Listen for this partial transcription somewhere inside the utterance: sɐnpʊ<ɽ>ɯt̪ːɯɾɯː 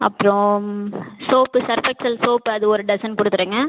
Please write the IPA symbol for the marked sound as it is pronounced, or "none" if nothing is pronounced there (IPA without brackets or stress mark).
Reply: ɽ